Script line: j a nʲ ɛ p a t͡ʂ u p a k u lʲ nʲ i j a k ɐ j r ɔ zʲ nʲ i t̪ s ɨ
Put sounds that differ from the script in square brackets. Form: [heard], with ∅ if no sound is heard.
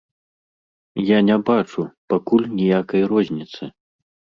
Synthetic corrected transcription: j a nʲ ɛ [b] a t͡ʂ u p a k u lʲ nʲ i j a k ɐ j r ɔ zʲ nʲ i t̪ s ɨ